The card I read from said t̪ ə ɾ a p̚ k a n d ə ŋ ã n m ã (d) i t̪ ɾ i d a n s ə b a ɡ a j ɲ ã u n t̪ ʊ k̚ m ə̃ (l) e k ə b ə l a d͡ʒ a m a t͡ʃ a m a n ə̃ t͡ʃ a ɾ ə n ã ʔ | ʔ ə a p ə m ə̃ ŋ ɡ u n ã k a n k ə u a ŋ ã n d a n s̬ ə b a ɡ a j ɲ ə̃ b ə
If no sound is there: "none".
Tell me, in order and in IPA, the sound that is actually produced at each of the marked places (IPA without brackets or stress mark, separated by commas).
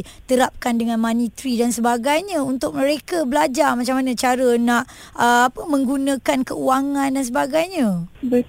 n, ɾ